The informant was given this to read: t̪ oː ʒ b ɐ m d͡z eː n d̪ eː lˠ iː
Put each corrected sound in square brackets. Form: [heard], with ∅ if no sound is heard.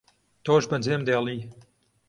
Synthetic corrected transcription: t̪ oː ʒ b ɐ [n] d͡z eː [m] d̪ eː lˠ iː